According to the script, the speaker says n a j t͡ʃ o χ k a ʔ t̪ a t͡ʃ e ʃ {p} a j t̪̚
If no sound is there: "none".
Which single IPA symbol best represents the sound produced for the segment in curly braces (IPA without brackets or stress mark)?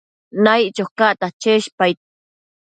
p